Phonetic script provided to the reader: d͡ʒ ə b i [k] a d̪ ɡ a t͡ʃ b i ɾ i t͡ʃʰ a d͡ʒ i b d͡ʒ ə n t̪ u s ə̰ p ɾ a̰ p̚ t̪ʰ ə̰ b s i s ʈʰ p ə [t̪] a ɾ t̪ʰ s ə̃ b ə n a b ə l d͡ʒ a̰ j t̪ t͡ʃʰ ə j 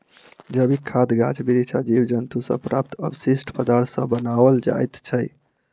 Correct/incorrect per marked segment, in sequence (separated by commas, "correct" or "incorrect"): incorrect, incorrect